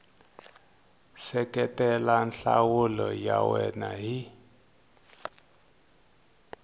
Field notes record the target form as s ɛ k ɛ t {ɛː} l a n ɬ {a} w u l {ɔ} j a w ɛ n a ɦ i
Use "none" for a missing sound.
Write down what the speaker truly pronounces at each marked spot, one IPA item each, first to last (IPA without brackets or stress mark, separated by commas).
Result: ɛ, a, ɔ